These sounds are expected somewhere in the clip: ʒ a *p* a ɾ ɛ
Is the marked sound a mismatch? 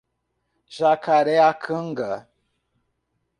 yes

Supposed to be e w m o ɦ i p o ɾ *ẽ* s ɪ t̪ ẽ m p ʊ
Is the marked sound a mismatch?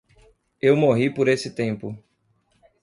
yes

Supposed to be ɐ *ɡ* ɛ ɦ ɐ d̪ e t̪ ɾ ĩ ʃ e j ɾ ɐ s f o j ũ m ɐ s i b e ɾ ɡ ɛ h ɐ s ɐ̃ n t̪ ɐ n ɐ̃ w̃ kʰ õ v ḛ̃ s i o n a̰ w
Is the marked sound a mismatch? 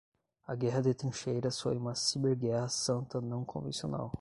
no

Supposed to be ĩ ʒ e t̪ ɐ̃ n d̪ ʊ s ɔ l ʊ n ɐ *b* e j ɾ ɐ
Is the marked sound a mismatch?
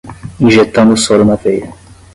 yes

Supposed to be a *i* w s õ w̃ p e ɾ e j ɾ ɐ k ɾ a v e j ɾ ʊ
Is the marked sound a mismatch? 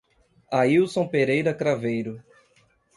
no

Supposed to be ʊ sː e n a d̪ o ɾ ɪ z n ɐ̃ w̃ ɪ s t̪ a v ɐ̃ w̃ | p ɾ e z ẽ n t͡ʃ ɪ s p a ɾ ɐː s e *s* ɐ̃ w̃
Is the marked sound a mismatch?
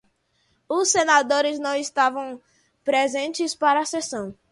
no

